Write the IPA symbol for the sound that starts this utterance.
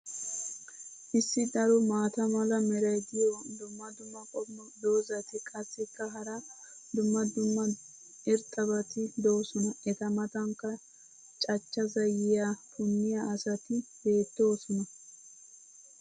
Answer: ʔ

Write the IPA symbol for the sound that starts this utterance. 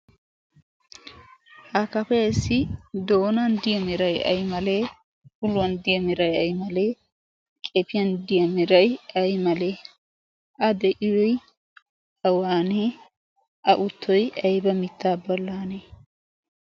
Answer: h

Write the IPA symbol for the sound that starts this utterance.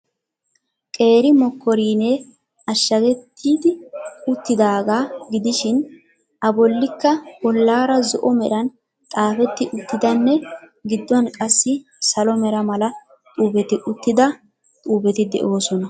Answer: kʼ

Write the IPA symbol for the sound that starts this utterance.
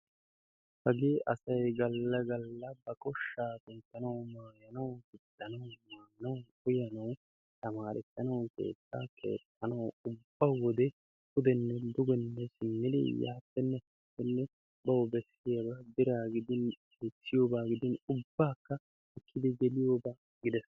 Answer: h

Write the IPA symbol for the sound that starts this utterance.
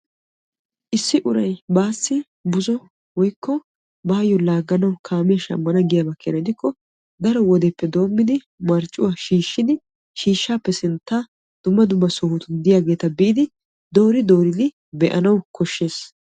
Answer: ʔ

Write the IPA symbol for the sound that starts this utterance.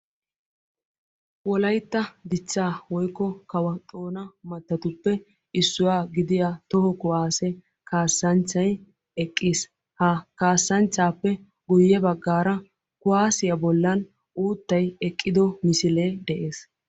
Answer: w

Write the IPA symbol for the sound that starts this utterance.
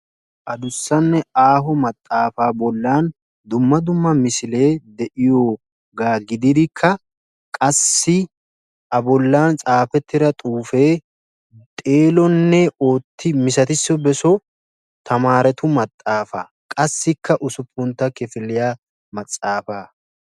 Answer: ʔ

